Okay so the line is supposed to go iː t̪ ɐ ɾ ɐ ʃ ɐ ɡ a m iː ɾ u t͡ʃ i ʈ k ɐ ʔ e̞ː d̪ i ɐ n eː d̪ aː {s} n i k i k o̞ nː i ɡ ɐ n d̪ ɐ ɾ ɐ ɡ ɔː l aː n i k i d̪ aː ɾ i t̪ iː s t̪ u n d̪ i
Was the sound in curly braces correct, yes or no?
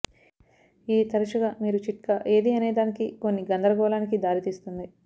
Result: no